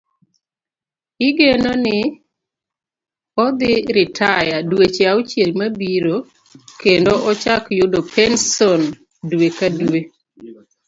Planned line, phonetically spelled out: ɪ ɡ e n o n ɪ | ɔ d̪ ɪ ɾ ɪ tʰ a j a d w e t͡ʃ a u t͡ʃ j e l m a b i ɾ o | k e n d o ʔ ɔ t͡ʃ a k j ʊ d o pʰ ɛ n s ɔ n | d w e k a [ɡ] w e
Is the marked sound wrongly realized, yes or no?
yes